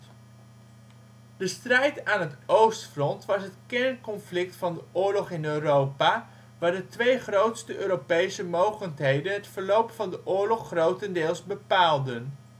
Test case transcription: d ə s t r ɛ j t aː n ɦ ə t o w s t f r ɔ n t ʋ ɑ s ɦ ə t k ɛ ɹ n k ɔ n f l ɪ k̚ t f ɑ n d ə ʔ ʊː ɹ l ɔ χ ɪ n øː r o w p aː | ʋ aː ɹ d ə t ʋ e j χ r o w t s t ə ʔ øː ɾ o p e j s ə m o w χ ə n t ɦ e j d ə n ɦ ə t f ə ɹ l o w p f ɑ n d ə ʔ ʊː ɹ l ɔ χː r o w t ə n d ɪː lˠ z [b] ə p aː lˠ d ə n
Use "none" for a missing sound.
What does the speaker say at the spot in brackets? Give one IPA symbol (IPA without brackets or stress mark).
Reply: b